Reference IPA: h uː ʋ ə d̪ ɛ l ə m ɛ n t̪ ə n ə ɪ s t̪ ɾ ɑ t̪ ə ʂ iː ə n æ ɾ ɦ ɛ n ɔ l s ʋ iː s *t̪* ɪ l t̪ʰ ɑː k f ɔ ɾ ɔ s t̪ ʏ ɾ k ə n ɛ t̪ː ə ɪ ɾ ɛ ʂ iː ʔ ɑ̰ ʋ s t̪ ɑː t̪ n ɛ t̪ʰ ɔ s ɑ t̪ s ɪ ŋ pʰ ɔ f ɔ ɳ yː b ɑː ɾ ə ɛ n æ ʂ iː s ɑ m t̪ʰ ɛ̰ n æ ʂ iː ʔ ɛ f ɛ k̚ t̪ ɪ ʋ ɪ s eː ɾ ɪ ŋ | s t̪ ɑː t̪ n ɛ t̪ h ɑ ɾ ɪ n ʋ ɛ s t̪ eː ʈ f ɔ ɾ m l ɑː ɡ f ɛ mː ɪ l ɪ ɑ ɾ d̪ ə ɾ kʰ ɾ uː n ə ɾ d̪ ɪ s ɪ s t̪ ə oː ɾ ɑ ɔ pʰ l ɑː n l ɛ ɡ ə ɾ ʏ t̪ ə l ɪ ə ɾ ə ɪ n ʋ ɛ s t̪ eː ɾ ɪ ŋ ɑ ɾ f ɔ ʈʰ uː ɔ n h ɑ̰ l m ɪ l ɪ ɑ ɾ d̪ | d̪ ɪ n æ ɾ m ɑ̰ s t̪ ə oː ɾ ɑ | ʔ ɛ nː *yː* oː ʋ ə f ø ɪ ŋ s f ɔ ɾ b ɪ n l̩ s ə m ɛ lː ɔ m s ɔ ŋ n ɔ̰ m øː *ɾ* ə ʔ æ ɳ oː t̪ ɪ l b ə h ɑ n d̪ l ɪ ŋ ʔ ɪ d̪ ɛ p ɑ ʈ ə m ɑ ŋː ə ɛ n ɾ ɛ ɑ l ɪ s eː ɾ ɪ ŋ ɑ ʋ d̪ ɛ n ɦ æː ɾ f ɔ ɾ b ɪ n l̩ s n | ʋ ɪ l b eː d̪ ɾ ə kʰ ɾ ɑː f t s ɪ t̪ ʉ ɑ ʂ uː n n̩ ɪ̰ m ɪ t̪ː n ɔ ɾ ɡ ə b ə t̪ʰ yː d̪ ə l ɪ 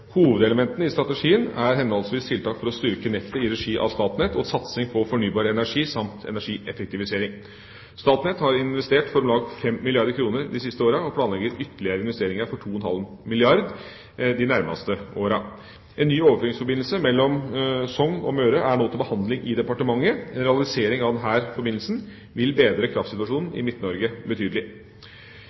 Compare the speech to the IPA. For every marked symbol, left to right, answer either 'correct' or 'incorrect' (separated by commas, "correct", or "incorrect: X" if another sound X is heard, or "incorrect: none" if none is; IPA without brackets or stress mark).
incorrect: t̪ʰ, correct, correct